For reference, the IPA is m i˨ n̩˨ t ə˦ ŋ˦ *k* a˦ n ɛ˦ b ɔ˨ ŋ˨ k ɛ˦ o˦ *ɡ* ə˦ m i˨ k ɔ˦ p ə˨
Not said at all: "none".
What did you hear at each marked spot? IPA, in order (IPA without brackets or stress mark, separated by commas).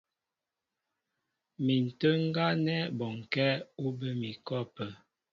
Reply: ɡ, b